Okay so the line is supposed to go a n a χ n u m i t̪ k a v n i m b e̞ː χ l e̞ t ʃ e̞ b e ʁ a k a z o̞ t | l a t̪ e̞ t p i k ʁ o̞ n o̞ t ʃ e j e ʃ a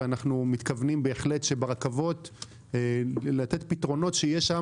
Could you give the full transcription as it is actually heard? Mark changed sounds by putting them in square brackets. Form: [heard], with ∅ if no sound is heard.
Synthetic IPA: a n a χ n u m i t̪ k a v n i m b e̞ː χ l e̞ t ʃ e̞ b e ʁ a k a [v] o̞ t | l a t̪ e̞ t p i [t] ʁ o̞ n o̞ t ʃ e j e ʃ a